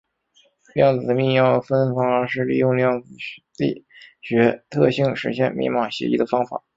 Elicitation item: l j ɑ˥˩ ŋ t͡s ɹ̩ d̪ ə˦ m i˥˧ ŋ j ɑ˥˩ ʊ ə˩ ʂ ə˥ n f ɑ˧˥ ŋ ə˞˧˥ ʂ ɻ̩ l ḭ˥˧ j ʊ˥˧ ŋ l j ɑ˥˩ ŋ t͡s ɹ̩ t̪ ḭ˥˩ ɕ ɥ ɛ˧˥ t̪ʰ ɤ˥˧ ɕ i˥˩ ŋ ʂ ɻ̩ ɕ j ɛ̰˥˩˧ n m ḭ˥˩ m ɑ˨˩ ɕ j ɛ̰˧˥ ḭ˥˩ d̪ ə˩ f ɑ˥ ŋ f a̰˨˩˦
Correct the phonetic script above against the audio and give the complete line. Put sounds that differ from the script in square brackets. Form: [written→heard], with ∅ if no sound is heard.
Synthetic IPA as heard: l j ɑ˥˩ ŋ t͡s ɹ̩ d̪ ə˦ m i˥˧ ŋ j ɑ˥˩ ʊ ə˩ [ʂ→f] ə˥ n f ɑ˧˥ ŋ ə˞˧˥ ʂ ɻ̩ l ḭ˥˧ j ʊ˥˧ ŋ l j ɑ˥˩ ŋ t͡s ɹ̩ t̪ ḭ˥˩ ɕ ɥ ɛ˧˥ t̪ʰ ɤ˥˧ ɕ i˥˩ ŋ ʂ ɻ̩ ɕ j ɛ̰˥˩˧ n m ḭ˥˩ m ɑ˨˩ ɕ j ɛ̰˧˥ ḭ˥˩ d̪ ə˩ f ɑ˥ ŋ f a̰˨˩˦